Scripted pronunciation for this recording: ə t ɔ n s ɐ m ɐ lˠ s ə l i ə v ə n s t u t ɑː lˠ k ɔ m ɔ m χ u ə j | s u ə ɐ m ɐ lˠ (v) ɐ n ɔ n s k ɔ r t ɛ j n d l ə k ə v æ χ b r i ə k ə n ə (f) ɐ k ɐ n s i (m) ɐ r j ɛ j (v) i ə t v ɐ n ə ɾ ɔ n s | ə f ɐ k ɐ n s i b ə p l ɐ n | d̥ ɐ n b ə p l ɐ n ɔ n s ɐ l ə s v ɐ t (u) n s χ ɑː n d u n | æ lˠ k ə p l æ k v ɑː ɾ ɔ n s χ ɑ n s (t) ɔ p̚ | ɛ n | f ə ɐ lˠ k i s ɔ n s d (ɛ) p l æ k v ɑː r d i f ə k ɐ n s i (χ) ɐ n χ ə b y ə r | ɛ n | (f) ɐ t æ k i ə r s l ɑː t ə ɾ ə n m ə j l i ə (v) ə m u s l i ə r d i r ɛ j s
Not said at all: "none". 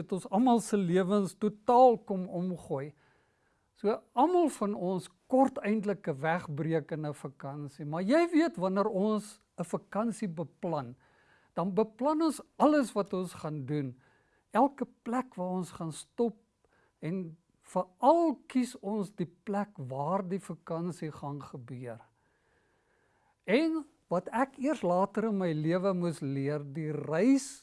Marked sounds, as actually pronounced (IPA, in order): f, f, m, v, ɔ, t, i, χ, v, v

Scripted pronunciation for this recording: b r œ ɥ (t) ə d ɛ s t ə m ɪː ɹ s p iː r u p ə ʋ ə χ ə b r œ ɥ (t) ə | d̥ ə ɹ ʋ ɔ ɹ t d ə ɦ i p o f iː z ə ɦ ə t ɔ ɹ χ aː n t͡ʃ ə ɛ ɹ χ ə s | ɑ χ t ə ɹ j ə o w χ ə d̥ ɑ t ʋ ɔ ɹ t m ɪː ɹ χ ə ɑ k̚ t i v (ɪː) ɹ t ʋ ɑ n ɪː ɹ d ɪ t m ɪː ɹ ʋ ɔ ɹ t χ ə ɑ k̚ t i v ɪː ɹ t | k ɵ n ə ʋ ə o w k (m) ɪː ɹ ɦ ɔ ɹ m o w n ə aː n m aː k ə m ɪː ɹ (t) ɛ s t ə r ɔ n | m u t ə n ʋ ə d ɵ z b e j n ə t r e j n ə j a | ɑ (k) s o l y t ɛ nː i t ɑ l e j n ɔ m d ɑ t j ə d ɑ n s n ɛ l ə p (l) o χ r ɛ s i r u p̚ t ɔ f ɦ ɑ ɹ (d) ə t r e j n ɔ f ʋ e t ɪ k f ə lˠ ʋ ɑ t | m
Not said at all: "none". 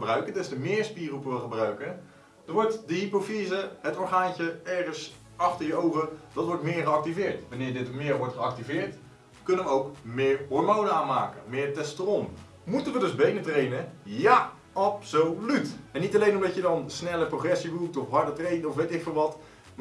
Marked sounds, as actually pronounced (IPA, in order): k, k, ɪː, m, t, p, r, d

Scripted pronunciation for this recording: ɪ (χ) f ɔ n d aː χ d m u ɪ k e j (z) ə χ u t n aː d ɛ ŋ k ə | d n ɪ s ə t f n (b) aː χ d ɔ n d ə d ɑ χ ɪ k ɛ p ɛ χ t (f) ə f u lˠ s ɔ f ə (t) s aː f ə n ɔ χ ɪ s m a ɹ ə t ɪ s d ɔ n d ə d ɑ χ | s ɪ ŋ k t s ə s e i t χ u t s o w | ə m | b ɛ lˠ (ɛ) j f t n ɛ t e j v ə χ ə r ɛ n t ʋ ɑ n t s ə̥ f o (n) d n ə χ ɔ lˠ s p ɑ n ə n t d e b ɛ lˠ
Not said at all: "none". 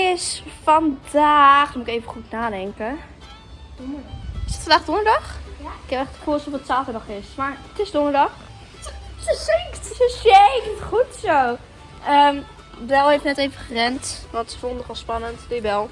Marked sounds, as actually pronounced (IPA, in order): s, v, d, χ, t, e, n

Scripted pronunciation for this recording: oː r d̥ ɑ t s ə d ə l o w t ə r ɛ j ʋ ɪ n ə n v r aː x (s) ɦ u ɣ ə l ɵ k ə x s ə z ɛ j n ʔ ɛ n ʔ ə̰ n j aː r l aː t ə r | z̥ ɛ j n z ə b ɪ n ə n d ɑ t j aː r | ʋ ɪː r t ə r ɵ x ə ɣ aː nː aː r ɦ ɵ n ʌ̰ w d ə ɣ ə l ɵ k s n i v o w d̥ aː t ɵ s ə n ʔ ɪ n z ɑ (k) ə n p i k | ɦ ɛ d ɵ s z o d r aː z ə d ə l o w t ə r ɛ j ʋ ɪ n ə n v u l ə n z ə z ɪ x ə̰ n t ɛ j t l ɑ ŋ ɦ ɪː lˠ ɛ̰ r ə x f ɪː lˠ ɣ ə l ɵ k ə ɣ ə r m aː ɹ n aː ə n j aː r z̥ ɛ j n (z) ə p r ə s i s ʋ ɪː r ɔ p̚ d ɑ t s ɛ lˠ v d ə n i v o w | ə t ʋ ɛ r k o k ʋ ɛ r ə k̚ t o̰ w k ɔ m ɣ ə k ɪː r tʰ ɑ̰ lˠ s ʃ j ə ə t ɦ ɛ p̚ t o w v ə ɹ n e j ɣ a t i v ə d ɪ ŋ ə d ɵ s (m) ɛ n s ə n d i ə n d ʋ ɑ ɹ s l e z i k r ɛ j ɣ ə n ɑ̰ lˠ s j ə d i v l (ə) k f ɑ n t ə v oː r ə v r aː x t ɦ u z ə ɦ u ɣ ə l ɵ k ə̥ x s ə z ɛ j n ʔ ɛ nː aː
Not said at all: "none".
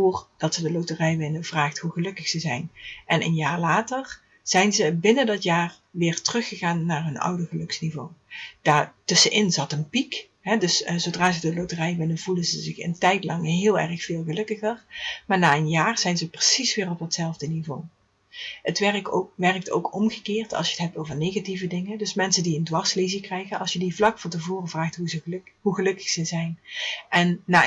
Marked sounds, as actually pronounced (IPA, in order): t, t, z, m, ɑ

